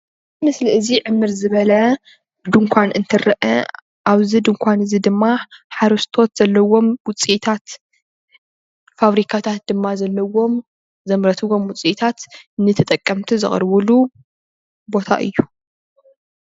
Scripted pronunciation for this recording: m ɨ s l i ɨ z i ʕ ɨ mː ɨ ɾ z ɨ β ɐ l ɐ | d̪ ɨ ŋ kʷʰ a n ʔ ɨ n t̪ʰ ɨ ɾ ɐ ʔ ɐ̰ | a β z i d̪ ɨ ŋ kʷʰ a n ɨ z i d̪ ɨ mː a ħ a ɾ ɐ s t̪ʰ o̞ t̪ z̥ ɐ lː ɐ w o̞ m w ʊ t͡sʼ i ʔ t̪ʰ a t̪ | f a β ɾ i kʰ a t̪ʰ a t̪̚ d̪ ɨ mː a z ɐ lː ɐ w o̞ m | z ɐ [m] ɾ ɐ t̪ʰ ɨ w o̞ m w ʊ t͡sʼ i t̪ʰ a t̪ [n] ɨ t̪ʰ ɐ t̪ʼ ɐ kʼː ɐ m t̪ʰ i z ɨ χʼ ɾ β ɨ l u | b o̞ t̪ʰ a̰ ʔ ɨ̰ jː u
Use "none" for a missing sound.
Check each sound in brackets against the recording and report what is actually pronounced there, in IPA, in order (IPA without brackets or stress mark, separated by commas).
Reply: m, n